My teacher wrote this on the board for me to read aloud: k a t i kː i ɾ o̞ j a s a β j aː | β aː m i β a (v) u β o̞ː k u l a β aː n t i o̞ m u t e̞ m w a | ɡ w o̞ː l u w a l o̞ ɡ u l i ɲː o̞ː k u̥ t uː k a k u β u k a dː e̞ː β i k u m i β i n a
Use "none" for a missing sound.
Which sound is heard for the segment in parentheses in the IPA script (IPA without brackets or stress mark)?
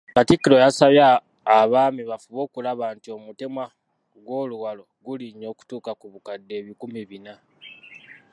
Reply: f